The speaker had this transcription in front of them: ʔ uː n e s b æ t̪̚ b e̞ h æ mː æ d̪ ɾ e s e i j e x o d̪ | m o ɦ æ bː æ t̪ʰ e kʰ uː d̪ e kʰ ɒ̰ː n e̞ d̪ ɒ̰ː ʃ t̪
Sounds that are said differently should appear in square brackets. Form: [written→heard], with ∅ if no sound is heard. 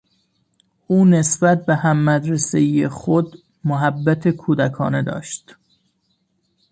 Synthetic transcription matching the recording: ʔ uː n e s b æ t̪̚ b e̞ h æ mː æ d̪ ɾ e s e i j e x o d̪ | m o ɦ æ bː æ t̪ʰ e kʰ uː d̪ [e→æ] kʰ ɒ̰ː n e̞ d̪ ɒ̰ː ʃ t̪